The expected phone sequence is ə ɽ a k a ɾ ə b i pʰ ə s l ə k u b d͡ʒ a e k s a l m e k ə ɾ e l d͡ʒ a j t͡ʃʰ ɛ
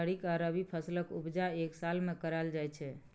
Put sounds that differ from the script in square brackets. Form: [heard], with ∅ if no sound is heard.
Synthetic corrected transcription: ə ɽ [i] k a ɾ ə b i pʰ ə s l ə k u b d͡ʒ a e k s a l m e k ə ɾ [a] l d͡ʒ a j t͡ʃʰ ɛ